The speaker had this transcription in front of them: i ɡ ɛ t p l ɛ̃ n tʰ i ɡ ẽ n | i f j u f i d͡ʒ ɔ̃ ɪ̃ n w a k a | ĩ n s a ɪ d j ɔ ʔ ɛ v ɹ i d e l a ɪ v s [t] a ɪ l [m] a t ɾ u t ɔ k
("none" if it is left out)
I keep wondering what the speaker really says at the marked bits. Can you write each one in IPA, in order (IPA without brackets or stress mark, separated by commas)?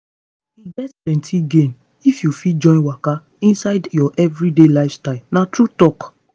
t, n